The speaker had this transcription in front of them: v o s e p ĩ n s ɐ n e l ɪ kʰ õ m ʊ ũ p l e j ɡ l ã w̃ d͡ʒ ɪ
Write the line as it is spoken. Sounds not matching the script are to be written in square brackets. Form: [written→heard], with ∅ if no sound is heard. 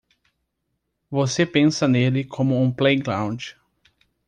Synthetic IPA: v o s e p [ĩ→ẽ] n s ɐ n e l ɪ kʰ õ m ʊ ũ p l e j ɡ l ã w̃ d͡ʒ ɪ